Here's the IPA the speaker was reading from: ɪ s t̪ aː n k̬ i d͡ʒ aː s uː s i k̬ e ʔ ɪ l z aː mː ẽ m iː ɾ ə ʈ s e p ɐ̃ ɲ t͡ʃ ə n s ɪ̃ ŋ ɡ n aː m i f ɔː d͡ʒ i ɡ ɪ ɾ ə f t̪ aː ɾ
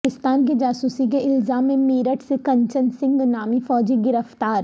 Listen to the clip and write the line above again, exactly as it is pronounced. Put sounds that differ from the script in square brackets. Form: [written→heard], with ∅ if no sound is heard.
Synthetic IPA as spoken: ɪ s t̪ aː n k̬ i d͡ʒ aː s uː s i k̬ e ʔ ɪ l z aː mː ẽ m iː ɾ ə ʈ s e [p→k] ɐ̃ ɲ t͡ʃ ə n s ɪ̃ ŋ ɡ n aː m i f ɔː d͡ʒ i ɡ ɪ ɾ ə f t̪ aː ɾ